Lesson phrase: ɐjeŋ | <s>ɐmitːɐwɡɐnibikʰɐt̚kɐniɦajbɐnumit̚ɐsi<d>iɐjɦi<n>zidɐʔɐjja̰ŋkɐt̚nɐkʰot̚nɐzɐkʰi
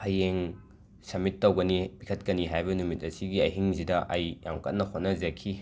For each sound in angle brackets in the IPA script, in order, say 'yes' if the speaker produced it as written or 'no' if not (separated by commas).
yes, no, no